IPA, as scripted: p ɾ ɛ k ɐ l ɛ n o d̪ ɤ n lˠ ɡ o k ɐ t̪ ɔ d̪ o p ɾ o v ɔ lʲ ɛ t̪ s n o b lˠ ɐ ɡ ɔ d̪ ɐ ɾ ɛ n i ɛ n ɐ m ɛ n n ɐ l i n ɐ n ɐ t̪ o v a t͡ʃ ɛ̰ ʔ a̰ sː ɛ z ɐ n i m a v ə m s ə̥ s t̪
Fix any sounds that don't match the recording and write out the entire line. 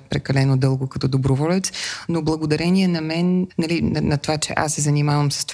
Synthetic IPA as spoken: p ɾ ɛ k ɐ l ɛ n o d̪ ɤ lˠ ɡ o k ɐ t̪ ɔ d̪ o b ɾ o v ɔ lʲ ɛ t̪ s n o b lˠ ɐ ɡ o d̪ ɐ ɾ ɛ n i ɛ n ɐ m ɛ n n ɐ l i n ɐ n ɐ t̪ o v a t͡ʃ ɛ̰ ʔ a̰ sː ɛ z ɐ n i m a v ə m s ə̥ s t̪